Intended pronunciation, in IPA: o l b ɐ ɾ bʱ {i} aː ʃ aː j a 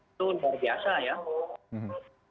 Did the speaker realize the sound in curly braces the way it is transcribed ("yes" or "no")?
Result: no